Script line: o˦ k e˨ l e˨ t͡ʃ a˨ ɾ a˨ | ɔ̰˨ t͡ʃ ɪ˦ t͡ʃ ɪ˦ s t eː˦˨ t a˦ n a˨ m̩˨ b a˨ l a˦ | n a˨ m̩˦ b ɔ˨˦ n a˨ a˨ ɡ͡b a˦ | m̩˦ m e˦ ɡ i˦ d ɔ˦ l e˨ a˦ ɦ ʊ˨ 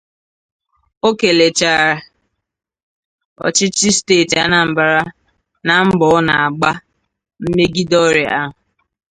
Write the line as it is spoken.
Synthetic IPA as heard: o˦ k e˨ l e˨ t͡ʃ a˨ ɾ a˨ | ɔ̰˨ t͡ʃ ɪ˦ t͡ʃ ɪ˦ s t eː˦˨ t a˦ n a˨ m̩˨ b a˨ ɾ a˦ | n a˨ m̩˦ b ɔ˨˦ n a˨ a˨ ɡ͡b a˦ | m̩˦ m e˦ ɡ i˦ d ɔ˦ ɾ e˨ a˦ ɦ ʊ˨